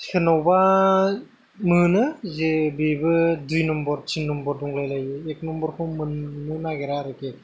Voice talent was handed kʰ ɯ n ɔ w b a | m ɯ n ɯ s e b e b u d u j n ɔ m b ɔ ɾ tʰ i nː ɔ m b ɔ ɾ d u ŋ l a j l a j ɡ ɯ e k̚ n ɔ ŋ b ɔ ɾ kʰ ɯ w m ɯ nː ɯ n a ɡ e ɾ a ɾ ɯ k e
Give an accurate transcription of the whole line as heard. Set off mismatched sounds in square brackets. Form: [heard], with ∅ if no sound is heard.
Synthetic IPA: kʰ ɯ n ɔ w b a | m ɯ n ɯ [z] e b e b [ɯ] d u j n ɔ m b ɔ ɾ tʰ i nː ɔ m b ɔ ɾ d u ŋ l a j l a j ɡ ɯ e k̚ n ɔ [m] b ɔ ɾ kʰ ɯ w m ɯ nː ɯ n a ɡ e ɾ a ɾ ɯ k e